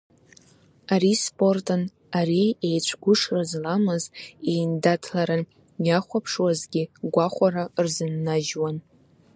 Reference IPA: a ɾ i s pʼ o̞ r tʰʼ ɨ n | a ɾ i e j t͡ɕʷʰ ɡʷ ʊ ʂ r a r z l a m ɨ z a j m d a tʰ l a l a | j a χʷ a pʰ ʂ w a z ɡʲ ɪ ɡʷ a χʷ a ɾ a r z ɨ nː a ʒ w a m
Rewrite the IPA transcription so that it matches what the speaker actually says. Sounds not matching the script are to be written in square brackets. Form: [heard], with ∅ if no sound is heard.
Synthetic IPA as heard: a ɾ i s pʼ o̞ r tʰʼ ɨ n | a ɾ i e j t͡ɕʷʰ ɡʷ ʊ ʂ r a [∅] z l a m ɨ z [e] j [n] d a tʰ l a [ɾ] a | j a χʷ a pʰ ʂ w a z ɡʲ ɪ ɡʷ a χʷ a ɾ a r z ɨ nː a ʒ w a [n]